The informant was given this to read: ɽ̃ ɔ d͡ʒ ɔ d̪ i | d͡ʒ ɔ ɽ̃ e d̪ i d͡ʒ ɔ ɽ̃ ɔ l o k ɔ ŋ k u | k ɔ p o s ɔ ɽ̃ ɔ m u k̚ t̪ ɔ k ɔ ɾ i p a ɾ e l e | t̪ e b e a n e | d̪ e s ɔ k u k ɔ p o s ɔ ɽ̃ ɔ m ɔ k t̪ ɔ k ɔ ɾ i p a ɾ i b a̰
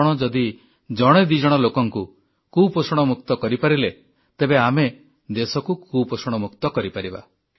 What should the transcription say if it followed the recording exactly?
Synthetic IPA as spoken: ɽ̃ ɔ d͡ʒ ɔ d̪ i | d͡ʒ ɔ ɽ̃ e d̪ i d͡ʒ ɔ ɽ̃ ɔ l o k ɔ ŋ k u | k u p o s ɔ ɽ̃ ɔ m u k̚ t̪ ɔ k ɔ ɾ i p a ɾ i l e | t̪ e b e a m e | d̪ e s ɔ k u k u p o s ɔ ɽ̃ ɔ m u k t̪ ɔ k ɔ ɾ i p a ɾ i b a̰